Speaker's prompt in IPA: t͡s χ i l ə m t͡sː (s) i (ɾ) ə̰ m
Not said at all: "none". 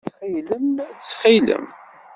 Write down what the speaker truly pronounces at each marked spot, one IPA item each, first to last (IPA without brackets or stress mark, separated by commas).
χ, l